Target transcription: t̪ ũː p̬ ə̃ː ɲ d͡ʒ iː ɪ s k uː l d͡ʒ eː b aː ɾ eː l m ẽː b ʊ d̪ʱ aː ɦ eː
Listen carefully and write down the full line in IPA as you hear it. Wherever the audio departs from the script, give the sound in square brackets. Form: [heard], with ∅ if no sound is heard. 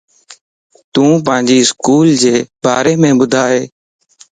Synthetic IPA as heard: t̪ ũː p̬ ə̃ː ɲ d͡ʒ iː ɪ s k uː l d͡ʒ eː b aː ɾ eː [∅] m ẽː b ʊ d̪ʱ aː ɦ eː